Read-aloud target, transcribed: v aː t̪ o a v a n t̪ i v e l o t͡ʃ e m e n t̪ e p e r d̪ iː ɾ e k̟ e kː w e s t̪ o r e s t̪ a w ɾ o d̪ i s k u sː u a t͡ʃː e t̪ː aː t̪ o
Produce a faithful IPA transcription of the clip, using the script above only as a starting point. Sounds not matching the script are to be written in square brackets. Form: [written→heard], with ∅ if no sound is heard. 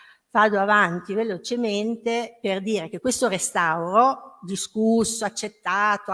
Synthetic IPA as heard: v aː [t̪→d̪] o a v a n t̪ i v e l o t͡ʃ e m e n t̪ e p e r d̪ iː ɾ e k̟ e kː w e s t̪ o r e s t̪ a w ɾ o d̪ i s k u sː [u→o] a t͡ʃː e t̪ː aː t̪ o